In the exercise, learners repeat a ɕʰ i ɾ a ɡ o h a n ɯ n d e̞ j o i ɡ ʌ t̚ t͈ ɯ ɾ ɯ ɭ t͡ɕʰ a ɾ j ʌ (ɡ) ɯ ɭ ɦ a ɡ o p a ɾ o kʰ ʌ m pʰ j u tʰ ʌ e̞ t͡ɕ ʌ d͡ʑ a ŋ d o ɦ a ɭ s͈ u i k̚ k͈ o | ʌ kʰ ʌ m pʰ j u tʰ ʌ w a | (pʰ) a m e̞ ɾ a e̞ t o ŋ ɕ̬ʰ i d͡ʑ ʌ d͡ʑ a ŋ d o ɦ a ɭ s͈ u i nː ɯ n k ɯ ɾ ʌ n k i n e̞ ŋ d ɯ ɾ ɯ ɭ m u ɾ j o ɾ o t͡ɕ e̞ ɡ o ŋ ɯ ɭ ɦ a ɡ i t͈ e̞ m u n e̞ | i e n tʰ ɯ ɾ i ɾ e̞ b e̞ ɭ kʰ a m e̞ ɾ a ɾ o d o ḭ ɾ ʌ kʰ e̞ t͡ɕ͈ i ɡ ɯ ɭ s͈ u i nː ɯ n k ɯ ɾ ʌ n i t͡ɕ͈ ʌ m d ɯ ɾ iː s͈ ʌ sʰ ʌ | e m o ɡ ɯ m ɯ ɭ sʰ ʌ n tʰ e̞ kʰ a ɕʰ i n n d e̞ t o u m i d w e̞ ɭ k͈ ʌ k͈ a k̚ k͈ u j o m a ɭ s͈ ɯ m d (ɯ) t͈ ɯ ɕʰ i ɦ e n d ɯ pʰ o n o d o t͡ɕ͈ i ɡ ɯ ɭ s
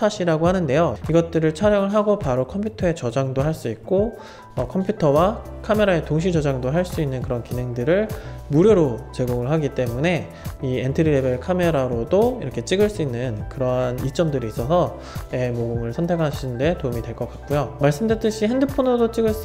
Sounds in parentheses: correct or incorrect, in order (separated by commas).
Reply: incorrect, incorrect, correct